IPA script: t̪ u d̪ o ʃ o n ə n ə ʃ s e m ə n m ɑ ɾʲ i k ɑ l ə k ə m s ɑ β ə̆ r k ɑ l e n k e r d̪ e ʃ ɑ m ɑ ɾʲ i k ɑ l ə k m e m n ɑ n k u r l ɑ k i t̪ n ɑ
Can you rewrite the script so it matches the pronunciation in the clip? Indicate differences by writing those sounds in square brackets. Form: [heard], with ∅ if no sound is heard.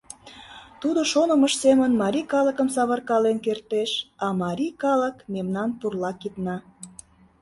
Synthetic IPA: t̪ u d̪ o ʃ o n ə [m] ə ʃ s e m ə n m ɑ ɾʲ i k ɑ l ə k ə m s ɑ β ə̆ r k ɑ l e n k e r [t̪] e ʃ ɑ m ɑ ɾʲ i k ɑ l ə k m e m n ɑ n [p] u r l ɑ k i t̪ n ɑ